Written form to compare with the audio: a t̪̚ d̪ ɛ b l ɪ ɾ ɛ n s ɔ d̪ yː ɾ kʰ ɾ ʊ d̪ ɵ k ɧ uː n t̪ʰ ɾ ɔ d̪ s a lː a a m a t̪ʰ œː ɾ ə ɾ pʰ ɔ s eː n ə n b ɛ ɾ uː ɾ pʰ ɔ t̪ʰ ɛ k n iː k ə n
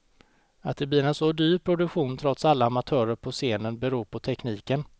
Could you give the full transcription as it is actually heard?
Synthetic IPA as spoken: a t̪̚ d̪ ɛ b l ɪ ɾ ɛ n s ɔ d̪ yː ɾ pʰ ɾ ʊ d̪ ɵ k ɧ uː n t̪ʰ ɾ ɔ t̪ s a lː a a m a t̪ʰ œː ɾ ə ɾ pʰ ɔ s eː n ə n b ɛ ɾ uː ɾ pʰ ɔ t̪ʰ ɛ k n iː k ə n